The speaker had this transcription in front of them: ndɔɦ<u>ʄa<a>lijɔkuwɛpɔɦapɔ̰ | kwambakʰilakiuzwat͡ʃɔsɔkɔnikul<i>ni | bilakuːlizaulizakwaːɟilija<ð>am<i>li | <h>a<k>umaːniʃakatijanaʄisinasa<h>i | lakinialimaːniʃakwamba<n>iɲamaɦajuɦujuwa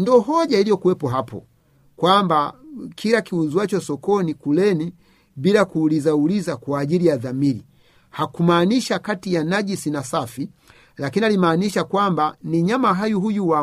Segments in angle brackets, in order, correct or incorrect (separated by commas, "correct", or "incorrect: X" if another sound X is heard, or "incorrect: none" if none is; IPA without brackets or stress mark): incorrect: ɔ, incorrect: i, incorrect: ɛ, correct, correct, correct, correct, incorrect: f, correct